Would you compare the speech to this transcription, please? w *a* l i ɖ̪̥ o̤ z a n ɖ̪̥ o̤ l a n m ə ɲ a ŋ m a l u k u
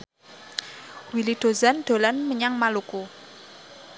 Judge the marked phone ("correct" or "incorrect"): incorrect